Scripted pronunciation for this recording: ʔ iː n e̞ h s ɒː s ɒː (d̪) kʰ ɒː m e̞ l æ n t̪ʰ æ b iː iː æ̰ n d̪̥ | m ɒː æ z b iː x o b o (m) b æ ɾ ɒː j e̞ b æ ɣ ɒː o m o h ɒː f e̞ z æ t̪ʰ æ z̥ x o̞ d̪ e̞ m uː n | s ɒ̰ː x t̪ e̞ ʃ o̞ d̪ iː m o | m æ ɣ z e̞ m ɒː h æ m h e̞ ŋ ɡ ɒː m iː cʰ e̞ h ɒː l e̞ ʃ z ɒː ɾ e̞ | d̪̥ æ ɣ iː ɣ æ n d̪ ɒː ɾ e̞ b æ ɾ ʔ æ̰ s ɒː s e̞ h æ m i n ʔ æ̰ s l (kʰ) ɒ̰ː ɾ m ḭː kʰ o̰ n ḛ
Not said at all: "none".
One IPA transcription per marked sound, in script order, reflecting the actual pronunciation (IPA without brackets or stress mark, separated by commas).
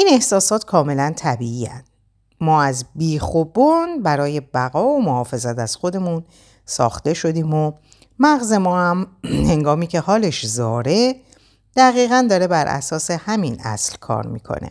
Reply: t̪, n, kʰ